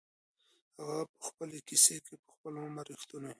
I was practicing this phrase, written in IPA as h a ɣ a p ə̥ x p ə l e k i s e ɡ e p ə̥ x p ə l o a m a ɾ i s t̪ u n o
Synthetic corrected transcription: h a ɣ a p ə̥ x p ə l e k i s e k e p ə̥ x p ə l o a m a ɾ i x t̪ u n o